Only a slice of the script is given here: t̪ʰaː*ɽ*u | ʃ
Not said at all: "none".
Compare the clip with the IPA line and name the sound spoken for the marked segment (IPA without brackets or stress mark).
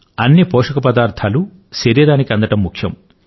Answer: l